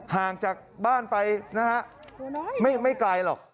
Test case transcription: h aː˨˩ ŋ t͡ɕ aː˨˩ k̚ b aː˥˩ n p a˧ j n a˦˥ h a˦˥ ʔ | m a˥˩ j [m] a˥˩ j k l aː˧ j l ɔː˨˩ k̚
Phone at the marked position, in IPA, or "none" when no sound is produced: m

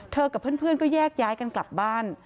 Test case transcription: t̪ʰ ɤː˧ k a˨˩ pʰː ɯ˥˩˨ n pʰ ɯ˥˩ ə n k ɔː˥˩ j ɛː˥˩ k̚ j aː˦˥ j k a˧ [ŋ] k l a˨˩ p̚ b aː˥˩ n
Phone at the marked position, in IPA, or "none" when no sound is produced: n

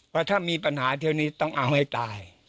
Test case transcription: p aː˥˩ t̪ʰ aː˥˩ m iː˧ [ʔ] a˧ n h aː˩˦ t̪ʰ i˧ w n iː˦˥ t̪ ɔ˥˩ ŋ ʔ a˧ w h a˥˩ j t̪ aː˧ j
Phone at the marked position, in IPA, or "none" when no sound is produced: p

